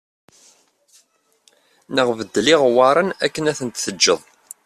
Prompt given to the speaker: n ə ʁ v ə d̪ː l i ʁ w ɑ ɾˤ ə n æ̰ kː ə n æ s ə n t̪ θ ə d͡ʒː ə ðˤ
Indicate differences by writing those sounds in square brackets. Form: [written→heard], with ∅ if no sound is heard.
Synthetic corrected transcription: n ə ʁ v ə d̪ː l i ʁ w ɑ ɾˤ ə n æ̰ kː ə n æ [s→θ] ə n t̪ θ ə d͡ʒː ə ðˤ